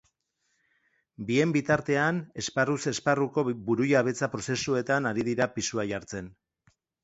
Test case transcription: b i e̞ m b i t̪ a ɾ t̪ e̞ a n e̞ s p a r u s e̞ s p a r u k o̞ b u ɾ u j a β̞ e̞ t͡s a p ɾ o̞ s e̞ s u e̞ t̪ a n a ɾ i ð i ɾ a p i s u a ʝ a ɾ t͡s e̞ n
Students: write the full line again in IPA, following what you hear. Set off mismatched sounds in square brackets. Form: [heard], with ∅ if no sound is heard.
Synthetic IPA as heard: b i e̞ m b i t̪ a ɾ t̪ e̞ a n e̞ s p a r u s e̞ s p a r u k o̞ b u ɾ u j a β̞ e̞ t͡s a p ɾ o̞ s e̞ s u e̞ t̪ a n a ɾ i ð i ɾ a p i s u a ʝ a ɾ t͡s e̞ n